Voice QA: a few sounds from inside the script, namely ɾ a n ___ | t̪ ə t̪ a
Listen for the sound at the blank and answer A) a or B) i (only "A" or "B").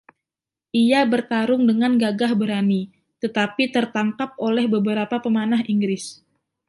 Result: B